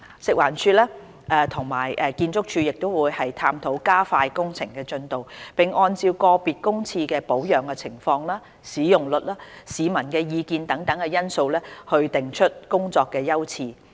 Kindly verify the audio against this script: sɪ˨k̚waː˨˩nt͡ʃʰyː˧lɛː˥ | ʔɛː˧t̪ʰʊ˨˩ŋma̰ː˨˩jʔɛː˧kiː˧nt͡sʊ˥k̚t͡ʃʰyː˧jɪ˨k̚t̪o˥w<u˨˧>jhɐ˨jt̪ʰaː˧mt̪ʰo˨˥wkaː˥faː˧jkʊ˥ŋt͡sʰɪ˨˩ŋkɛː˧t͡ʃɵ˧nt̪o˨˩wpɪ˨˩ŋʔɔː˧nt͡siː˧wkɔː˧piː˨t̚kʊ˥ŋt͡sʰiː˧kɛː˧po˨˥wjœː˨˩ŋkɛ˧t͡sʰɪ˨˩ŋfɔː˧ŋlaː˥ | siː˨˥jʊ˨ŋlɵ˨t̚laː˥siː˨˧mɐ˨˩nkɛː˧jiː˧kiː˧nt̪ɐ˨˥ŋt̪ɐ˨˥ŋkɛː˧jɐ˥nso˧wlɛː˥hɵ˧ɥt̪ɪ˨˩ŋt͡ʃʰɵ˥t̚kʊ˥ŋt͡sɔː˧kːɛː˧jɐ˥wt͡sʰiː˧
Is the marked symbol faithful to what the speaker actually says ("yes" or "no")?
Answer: no